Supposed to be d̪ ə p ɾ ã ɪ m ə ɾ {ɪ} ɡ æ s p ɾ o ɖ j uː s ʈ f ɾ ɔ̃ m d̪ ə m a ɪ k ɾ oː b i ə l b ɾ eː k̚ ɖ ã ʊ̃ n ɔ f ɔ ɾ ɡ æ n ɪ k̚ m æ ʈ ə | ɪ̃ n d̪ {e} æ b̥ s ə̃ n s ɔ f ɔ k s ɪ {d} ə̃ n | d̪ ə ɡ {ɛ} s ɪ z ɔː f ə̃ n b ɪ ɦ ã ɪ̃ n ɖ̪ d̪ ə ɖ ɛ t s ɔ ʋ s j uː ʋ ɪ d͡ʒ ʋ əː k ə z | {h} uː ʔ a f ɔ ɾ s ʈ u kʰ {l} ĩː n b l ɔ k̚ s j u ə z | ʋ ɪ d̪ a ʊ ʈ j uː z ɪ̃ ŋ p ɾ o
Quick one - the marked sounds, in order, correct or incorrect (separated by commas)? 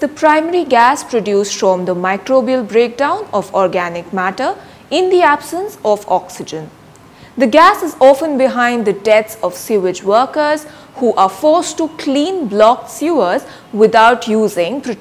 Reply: incorrect, incorrect, incorrect, incorrect, correct, correct